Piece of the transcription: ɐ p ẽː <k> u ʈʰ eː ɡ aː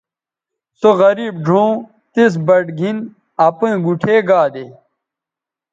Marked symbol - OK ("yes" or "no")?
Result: no